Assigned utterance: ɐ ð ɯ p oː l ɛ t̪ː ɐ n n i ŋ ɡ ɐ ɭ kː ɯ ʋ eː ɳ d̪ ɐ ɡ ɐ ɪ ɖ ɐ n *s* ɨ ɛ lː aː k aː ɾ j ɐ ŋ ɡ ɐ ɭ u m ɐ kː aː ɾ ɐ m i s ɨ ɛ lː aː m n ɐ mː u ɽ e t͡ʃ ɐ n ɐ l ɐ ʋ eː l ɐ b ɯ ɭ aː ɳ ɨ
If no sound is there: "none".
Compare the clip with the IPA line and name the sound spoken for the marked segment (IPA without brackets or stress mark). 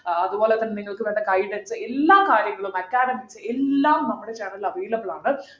s